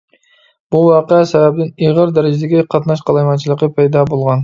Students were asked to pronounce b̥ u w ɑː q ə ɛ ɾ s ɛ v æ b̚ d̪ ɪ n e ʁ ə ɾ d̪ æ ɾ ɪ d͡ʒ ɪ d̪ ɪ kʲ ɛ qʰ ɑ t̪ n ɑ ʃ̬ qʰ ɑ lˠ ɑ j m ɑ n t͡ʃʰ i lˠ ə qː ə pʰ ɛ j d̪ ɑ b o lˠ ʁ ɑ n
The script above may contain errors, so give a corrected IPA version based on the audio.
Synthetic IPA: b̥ u w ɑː q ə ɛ s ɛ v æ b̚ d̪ ɪ n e ʁ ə ɾ d̪ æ ɾ ɪ d͡ʒ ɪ d̪ ɪ ɡʲ ɛ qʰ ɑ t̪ n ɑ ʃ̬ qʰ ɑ lˠ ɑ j m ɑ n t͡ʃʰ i lˠ ə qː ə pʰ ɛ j d̪ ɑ b o lˠ ʁ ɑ n